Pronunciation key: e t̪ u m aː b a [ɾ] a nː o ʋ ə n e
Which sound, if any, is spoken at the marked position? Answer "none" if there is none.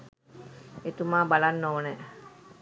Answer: l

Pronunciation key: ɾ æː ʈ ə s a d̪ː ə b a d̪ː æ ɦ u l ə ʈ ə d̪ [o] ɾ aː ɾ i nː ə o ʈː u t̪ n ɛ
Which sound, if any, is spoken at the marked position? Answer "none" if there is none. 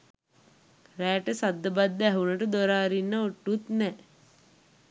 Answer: o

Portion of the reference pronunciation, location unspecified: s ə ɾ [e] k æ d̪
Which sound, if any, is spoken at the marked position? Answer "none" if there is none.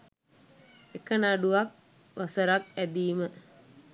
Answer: a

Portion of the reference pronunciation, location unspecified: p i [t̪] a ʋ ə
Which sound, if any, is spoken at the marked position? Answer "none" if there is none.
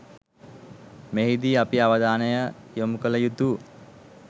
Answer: none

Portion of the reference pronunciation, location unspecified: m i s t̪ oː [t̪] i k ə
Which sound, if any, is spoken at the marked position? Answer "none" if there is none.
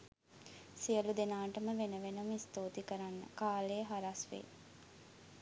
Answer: t̪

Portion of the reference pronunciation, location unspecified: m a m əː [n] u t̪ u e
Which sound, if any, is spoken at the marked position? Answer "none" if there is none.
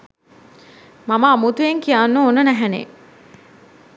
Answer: m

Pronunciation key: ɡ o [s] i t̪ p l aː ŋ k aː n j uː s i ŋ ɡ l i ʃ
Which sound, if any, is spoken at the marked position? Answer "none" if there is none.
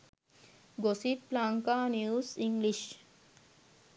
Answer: s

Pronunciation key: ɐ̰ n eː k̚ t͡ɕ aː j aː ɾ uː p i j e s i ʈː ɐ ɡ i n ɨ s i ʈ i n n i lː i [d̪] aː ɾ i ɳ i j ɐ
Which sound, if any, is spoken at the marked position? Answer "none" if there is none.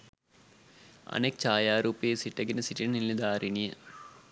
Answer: d̪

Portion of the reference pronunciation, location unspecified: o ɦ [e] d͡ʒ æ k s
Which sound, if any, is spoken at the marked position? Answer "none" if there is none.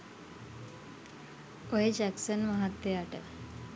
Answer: e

